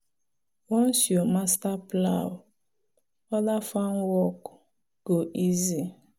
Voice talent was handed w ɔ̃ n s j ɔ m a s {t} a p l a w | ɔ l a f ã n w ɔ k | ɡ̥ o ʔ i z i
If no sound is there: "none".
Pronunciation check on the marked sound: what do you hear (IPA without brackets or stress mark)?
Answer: t